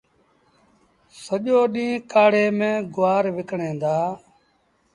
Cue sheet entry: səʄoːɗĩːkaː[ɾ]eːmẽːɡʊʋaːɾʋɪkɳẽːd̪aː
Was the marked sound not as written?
yes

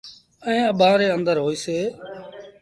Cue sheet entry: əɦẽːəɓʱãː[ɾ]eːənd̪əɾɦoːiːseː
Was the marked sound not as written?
no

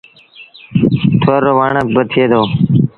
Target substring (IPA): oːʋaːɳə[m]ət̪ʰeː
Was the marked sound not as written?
yes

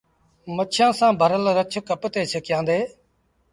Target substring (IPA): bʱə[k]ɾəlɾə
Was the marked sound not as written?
yes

